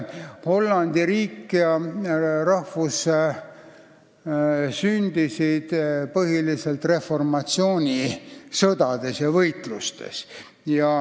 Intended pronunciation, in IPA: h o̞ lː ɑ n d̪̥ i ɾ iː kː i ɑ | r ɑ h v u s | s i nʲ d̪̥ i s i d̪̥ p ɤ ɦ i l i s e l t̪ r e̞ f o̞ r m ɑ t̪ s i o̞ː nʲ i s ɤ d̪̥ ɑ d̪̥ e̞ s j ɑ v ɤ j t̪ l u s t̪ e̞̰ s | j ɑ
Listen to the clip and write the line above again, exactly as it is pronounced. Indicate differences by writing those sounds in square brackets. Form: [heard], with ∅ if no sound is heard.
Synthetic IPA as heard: h o̞ lː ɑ n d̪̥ i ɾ iː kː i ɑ | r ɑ h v u s | s [y] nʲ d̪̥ i s i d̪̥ p ɤ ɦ i l i s e l t̪ r e̞ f o̞ r m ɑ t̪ s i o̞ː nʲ i s ɤ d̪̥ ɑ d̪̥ e̞ s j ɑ v ɤ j t̪ l u s t̪ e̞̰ s | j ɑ